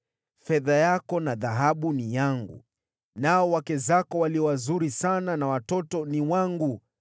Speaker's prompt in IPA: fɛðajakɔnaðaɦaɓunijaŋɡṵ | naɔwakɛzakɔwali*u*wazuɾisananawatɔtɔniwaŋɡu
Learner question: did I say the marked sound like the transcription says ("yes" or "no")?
no